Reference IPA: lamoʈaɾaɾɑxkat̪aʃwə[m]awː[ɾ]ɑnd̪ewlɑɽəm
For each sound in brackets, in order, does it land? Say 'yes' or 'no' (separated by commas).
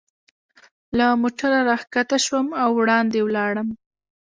yes, no